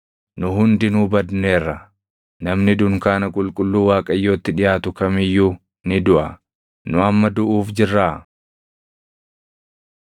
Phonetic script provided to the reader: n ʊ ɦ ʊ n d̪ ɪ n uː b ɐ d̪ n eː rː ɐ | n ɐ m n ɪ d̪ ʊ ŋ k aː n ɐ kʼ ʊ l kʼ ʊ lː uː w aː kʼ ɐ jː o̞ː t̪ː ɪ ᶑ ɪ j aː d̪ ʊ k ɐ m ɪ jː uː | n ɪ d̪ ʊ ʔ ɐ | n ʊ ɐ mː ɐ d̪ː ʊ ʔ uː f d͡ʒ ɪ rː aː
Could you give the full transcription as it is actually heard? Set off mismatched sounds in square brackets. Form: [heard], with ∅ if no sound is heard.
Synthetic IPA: n ʊ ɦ ʊ n d̪ ɪ n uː b ɐ d̪ n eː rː ɐ | n ɐ m n ɪ d̪ ʊ ŋ k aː n ɐ kʼ ʊ l kʼ ʊ lː uː w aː kʼ ɐ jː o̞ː t̪ː ɪ ᶑ ɪ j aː [t̪] ʊ k ɐ m ɪ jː uː | n ɪ d̪ ʊ ʔ ɐ | n ʊ ɐ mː ɐ [d̪] ʊ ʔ uː f d͡ʒ ɪ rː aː

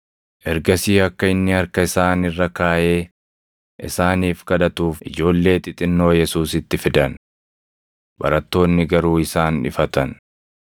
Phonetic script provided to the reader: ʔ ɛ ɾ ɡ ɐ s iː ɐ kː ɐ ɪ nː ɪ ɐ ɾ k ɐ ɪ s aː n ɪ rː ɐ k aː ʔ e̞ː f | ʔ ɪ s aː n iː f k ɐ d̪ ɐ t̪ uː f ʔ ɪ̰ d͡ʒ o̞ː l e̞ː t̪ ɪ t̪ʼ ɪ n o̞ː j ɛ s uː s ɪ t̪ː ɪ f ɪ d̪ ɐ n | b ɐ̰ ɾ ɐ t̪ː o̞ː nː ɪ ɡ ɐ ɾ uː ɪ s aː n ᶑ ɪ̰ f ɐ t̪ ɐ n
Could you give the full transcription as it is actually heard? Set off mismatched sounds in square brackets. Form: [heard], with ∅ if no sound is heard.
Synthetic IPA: ʔ ɛ ɾ ɡ ɐ s iː ɐ kː ɐ ɪ nː ɪ ɐ ɾ k ɐ ɪ s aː n ɪ rː ɐ k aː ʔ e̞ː [∅] | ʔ ɪ s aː n iː f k ɐ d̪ ɐ t̪ uː f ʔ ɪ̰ d͡ʒ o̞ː [lː] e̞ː t̪ ɪ t̪ʼ ɪ [nː] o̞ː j ɛ s uː s ɪ t̪ː ɪ f ɪ d̪ ɐ n | b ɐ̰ ɾ ɐ t̪ː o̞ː nː ɪ ɡ ɐ ɾ uː ɪ s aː n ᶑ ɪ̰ f ɐ t̪ ɐ n

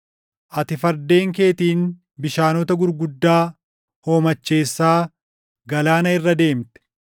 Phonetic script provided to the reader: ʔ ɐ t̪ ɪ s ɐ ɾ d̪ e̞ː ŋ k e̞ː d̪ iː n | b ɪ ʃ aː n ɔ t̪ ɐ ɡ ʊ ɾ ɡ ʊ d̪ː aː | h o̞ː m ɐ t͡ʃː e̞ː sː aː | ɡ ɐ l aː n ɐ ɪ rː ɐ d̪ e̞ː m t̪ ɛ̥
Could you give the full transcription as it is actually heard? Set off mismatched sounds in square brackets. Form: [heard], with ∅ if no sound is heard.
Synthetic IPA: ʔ ɐ t̪ ɪ [f] ɐ ɾ d̪ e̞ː ŋ k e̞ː [t̪] iː n | b ɪ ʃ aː n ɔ t̪ ɐ ɡ ʊ ɾ ɡ ʊ d̪ː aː | h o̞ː m ɐ t͡ʃː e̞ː sː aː | ɡ ɐ l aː n ɐ ɪ rː ɐ d̪ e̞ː m t̪ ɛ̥

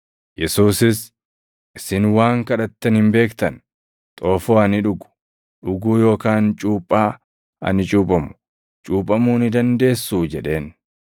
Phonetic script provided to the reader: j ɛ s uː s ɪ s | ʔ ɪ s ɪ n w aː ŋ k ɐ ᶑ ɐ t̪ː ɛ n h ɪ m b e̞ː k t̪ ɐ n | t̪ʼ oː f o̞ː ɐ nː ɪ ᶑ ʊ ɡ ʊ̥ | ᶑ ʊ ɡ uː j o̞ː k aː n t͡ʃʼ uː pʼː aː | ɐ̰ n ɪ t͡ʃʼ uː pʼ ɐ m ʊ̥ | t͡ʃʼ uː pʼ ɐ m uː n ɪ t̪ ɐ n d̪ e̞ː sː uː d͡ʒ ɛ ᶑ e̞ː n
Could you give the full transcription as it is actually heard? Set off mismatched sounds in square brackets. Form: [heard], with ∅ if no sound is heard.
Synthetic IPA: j ɛ s uː s ɪ s | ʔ ɪ s ɪ n w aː ŋ k ɐ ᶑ ɐ t̪ː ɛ n h ɪ m b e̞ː k t̪ ɐ n | t̪ʼ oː f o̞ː ɐ [n] ɪ ᶑ ʊ ɡ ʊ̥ | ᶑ ʊ ɡ uː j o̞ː k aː n t͡ʃʼ uː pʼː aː | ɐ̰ n ɪ t͡ʃʼ uː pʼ ɐ m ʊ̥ | t͡ʃʼ uː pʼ ɐ m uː n ɪ [d̪] ɐ n d̪ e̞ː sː uː d͡ʒ ɛ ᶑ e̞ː n

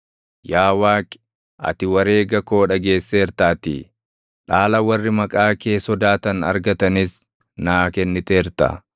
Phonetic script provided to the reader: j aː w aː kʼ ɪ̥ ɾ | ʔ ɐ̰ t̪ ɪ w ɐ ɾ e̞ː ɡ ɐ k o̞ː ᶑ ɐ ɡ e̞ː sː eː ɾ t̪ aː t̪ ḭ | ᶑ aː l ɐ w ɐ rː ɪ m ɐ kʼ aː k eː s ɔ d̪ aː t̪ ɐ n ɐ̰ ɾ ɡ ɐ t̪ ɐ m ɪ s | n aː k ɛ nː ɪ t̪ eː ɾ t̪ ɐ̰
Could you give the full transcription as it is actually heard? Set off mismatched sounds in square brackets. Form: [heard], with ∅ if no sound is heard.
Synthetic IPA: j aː w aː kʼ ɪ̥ [∅] | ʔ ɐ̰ t̪ ɪ w ɐ ɾ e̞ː ɡ ɐ k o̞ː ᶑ ɐ ɡ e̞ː sː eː ɾ t̪ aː t̪ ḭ | ᶑ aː l ɐ w ɐ rː ɪ m ɐ kʼ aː k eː s ɔ d̪ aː t̪ ɐ n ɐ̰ ɾ ɡ ɐ t̪ ɐ [n] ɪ s | n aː k ɛ nː ɪ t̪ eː ɾ t̪ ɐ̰

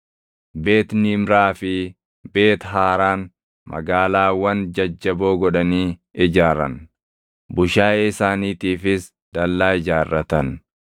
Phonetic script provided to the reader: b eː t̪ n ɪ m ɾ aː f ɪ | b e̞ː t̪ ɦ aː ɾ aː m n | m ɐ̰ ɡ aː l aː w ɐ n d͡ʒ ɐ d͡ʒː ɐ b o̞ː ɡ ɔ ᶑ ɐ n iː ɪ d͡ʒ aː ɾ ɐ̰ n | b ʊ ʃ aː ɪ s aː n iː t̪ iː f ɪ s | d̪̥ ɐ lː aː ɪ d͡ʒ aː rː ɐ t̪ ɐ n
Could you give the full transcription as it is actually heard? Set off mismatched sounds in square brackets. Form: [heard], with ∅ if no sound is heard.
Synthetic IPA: b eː t̪ n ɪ m ɾ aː f ɪ | b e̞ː t̪ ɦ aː ɾ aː [∅] n | m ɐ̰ ɡ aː l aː w ɐ n d͡ʒ ɐ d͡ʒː ɐ b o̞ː ɡ ɔ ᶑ ɐ n iː ɪ d͡ʒ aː ɾ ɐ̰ n | b ʊ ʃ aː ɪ s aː n iː t̪ iː f ɪ s | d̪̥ ɐ lː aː ɪ d͡ʒ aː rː ɐ t̪ ɐ n

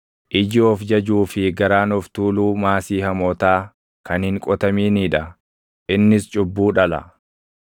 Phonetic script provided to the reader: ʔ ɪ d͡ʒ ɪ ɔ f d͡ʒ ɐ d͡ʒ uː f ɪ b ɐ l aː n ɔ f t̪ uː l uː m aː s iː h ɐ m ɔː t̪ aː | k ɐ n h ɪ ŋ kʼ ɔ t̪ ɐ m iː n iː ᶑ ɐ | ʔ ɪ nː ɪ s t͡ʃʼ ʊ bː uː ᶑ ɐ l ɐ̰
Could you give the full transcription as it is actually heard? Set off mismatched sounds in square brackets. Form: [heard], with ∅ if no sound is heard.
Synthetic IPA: ʔ ɪ d͡ʒ ɪ ɔ f d͡ʒ ɐ d͡ʒ uː f ɪ [ɡ] ɐ [ɾ] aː n ɔ f t̪ uː l uː m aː s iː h ɐ m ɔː t̪ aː | k ɐ n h ɪ ŋ kʼ ɔ t̪ ɐ m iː n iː ᶑ ɐ | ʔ ɪ nː ɪ s t͡ʃʼ ʊ bː uː ᶑ ɐ l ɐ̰

